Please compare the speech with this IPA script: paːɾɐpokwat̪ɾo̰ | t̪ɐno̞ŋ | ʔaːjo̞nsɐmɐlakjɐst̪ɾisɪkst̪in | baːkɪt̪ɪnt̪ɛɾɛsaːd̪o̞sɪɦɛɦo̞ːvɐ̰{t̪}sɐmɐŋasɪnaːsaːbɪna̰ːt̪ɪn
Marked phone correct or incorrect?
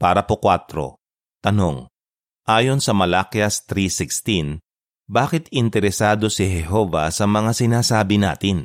incorrect